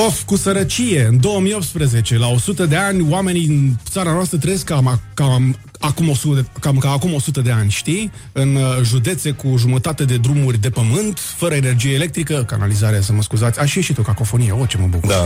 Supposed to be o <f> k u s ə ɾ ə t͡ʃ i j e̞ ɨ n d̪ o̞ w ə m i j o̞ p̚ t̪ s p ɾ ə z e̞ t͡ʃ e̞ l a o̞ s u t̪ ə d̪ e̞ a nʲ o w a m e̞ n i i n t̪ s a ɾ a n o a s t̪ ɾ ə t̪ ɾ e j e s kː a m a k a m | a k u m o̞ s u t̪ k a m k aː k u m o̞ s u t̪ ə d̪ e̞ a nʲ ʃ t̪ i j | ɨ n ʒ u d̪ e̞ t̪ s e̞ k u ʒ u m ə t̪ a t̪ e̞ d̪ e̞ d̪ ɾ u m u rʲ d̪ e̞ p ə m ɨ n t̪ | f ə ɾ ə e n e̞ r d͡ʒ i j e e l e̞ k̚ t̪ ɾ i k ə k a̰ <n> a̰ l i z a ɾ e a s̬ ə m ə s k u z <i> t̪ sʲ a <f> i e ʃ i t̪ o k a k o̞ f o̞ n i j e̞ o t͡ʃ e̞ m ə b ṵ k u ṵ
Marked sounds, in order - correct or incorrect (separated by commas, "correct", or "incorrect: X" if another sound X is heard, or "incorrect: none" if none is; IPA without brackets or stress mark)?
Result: correct, correct, incorrect: a, incorrect: ʃ